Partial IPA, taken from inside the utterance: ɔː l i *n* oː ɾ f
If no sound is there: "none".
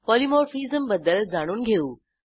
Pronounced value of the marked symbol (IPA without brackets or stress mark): m